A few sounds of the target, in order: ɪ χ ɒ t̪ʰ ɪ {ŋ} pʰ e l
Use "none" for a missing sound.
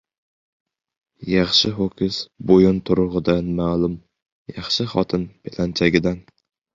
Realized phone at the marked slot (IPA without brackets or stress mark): n